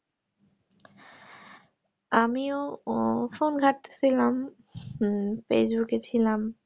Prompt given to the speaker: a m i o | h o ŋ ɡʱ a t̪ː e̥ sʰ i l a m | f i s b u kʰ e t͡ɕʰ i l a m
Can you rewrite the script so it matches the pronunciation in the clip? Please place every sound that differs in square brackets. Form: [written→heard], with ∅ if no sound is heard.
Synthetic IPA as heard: a m i o | [h→f] o [ŋ→n] ɡʱ a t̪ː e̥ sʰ i l a m | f [i→e] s b u [kʰ→k] e t͡ɕʰ i l a m